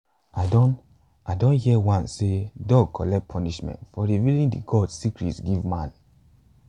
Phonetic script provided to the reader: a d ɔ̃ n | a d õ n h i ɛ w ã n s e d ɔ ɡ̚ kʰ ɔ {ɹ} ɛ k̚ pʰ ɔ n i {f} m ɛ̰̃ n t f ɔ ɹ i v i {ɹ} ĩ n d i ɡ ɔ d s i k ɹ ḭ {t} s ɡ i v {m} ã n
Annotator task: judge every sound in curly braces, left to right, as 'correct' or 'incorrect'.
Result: incorrect, incorrect, incorrect, correct, correct

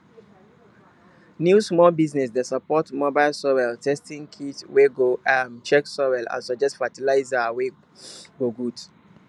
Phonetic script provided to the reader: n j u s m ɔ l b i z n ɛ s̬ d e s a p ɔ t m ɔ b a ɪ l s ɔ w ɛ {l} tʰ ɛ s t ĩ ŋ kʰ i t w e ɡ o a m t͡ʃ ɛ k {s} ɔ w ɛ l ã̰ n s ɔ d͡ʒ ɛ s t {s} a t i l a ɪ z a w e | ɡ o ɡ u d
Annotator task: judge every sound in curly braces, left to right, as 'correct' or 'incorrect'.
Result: correct, correct, incorrect

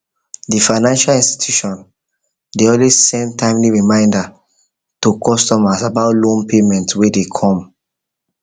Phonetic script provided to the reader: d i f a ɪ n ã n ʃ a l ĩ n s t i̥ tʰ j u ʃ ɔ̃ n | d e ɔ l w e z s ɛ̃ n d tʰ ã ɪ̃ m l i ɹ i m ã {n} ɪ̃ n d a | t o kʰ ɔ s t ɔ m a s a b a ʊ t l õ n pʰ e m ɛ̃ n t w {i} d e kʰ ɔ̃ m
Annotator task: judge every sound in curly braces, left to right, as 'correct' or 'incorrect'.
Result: incorrect, incorrect

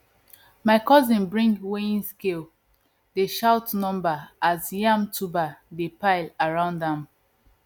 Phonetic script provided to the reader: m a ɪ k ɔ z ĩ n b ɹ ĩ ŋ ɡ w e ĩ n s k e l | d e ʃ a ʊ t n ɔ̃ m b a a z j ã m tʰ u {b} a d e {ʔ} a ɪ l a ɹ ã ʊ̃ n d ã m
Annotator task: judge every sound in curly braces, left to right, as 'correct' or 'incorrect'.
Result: correct, incorrect

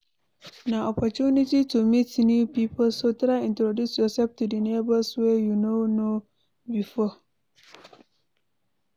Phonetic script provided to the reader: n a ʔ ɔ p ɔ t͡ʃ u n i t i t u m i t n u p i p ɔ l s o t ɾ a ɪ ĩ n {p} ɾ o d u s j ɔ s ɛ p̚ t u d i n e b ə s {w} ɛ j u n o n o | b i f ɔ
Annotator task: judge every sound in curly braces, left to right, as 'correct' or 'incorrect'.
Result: incorrect, correct

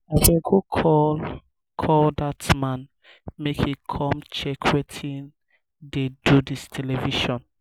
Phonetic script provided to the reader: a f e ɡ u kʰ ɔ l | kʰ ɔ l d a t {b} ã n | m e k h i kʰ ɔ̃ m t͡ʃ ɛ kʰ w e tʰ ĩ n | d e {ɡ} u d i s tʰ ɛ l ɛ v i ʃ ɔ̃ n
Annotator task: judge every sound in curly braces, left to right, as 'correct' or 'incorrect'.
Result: incorrect, incorrect

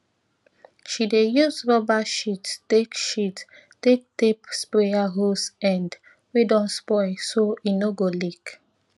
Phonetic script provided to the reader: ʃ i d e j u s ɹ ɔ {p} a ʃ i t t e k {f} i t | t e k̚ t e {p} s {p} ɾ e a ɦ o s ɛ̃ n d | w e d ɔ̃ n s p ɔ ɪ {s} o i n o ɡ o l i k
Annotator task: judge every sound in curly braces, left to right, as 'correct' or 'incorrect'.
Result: incorrect, incorrect, correct, correct, correct

